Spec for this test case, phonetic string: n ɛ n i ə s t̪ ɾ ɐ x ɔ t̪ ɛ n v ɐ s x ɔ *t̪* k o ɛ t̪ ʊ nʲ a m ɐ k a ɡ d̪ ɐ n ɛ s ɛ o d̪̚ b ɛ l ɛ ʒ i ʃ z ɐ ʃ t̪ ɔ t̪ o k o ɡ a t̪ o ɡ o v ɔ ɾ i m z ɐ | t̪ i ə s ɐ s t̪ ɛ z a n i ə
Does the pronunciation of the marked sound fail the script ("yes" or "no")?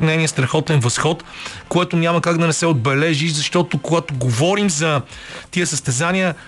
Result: no